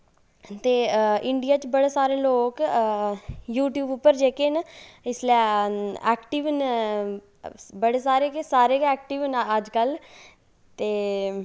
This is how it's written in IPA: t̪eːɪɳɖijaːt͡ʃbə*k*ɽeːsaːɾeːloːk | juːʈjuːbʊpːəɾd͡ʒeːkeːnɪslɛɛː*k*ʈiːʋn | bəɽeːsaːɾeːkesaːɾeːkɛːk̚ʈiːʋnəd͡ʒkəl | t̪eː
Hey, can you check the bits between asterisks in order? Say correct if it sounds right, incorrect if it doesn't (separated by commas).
incorrect, correct